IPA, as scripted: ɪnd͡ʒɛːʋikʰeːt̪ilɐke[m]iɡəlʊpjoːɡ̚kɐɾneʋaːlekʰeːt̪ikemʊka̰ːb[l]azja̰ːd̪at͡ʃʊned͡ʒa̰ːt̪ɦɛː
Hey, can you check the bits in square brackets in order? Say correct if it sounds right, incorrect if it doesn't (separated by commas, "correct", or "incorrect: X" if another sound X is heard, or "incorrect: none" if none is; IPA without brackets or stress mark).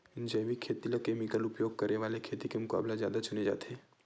correct, correct